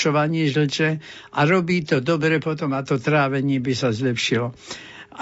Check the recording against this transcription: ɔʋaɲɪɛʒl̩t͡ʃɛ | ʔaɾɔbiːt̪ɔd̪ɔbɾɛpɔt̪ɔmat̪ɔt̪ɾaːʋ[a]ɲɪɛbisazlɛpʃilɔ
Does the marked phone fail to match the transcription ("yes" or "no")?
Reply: yes